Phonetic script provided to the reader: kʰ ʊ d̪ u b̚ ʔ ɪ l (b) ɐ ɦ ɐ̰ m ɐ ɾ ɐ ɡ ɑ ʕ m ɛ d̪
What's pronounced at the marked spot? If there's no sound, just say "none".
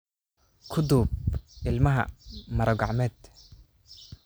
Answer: m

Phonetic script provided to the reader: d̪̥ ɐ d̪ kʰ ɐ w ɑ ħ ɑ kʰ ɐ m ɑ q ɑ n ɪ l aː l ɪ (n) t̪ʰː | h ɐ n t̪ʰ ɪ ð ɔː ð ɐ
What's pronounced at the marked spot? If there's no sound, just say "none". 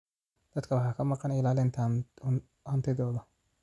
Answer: n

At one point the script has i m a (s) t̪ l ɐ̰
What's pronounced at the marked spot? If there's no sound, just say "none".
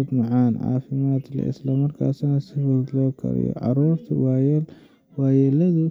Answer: none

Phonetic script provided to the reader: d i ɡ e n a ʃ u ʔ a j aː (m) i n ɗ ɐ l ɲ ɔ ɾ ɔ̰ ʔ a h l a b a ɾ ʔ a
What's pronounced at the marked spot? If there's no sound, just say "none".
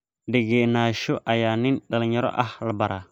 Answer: n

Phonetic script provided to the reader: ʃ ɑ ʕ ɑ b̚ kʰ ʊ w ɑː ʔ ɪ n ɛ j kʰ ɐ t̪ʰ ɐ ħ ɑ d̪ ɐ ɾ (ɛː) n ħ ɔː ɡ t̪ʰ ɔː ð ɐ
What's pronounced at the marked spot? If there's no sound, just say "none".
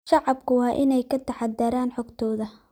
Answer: aː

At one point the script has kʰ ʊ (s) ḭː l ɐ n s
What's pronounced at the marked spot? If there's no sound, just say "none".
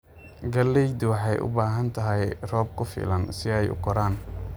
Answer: f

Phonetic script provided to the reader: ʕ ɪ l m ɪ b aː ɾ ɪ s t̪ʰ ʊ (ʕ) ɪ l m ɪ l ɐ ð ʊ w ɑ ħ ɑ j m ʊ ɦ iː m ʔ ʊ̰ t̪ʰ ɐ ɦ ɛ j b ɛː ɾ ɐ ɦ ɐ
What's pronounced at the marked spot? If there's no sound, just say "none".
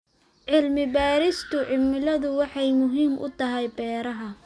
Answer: ʕ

